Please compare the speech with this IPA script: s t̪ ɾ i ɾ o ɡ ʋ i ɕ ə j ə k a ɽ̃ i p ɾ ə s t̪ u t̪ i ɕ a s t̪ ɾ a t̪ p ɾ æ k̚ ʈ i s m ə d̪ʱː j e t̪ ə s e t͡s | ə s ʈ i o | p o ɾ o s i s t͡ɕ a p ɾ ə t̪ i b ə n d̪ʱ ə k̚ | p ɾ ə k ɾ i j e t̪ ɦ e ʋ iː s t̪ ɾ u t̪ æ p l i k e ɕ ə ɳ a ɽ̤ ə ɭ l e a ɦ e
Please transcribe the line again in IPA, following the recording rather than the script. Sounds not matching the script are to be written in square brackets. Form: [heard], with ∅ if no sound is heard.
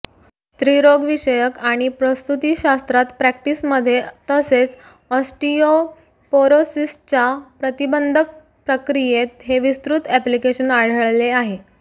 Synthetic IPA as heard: s t̪ ɾ i ɾ o ɡ ʋ i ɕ ə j ə k a ɽ̃ i p ɾ ə s t̪ u t̪ i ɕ a s t̪ ɾ a t̪ p ɾ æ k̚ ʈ i s m ə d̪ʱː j e t̪ ə s e t͡s | ə s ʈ i o | p o ɾ o s i s t͡ɕ a p ɾ ə t̪ i b ə n d̪ʱ ə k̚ | p ɾ ə k ɾ i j e t̪ ɦ e ʋ [i] s t̪ ɾ u t̪ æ p l i k e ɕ ə [n] a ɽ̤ ə ɭ l e a ɦ e